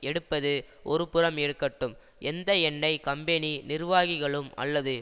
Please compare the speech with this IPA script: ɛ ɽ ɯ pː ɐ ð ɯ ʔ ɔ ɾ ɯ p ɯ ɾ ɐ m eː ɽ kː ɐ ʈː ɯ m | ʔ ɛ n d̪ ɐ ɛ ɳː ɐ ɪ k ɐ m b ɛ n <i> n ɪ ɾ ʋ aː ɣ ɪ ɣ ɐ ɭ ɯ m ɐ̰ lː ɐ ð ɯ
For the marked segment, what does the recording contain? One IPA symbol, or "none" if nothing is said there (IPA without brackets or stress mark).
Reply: i